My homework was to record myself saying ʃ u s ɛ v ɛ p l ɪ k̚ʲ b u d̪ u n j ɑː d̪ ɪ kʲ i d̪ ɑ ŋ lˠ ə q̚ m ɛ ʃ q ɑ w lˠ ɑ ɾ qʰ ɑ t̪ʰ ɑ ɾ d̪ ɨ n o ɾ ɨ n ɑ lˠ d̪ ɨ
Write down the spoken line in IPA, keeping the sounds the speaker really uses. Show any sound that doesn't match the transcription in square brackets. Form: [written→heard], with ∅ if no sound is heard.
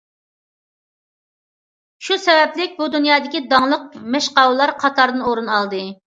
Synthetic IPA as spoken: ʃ u s ɛ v ɛ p l ɪ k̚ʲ b u d̪ u n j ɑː d̪ ɪ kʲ i d̪ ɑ ŋ lˠ ə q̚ m ɛ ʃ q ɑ w lˠ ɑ ɾ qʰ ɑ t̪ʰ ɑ ɾ d̪ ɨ n o ɾ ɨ n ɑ lˠ d̪ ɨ

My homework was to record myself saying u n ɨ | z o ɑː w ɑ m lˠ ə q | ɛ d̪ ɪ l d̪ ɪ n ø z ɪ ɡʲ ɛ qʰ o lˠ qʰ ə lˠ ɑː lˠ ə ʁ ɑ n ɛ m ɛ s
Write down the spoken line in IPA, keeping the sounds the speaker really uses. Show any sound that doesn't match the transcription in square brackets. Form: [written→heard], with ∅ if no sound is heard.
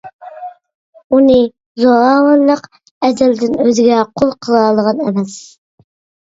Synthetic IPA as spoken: u n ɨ | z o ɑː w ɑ [m→n] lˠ ə q | ɛ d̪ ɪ l d̪ ɪ n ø z ɪ ɡʲ ɛ qʰ o lˠ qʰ ə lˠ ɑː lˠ ə ʁ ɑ n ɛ m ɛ s

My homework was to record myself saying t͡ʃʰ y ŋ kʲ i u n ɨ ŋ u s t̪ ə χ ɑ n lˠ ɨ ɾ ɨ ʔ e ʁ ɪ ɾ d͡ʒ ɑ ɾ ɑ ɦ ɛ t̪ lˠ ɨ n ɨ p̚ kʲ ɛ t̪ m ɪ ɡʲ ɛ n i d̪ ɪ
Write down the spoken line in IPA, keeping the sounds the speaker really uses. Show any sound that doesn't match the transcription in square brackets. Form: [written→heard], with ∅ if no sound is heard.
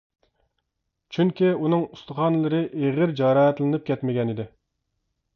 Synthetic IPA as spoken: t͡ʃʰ y ŋ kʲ i u n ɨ ŋ u s t̪ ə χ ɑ n lˠ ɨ ɾ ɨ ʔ e ʁ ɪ ɾ d͡ʒ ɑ ɾ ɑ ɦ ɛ t̪ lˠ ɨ n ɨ p̚ kʲ ɛ t̪ m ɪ ɡʲ ɛ n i d̪ ɪ

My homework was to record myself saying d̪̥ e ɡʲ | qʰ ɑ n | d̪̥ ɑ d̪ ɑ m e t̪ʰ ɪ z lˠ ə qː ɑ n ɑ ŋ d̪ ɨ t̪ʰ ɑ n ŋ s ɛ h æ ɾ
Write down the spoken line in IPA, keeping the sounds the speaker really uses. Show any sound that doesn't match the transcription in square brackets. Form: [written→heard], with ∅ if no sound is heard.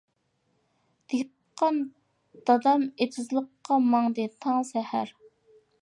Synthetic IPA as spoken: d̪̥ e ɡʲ | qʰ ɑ n | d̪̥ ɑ d̪ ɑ m e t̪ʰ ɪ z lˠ ə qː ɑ [n→m] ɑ ŋ d̪ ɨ t̪ʰ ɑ [n→∅] ŋ s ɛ h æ ɾ

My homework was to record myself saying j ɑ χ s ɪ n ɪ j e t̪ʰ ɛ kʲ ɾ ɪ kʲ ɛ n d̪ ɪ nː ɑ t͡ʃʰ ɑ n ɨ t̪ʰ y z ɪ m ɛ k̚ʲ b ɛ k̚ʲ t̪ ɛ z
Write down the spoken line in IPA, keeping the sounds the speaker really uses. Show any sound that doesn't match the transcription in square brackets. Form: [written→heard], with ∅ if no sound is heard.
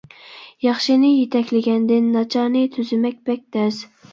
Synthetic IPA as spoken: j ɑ χ [s→ʃ] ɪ n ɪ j e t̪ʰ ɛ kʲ [ɾ→l] ɪ [kʲ→ɡʲ] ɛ n d̪ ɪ nː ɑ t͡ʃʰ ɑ n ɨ t̪ʰ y z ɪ m ɛ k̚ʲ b ɛ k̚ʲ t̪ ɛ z

